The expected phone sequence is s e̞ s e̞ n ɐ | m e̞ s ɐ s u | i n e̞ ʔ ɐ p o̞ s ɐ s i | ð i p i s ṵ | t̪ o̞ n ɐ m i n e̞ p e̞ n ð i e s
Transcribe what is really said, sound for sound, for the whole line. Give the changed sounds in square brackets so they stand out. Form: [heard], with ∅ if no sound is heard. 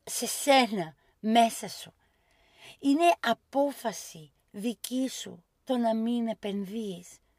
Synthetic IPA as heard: s e̞ s e̞ n ɐ | m e̞ s ɐ s u | i n e̞ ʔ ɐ p o̞ [f] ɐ s i | ð i [c] i s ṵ | t̪ o̞ n ɐ m i n e̞ p e̞ n ð i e s